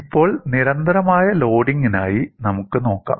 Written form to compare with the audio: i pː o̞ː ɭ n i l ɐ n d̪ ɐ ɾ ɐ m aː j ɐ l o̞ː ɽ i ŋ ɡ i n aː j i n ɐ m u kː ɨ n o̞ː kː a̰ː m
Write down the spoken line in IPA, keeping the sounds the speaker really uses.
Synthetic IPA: i pː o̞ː ɭ n i ɾ ɐ n d̪ ɐ ɾ ɐ m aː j ɐ l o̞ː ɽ i ŋ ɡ i n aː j i n ɐ m u kː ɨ n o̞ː kː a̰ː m